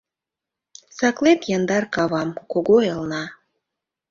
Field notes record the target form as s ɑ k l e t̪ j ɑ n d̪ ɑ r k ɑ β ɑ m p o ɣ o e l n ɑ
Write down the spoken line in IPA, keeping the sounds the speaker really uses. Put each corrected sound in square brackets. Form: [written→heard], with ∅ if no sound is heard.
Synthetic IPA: s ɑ k l e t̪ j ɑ n d̪ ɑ r k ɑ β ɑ m [p→k] o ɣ o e l n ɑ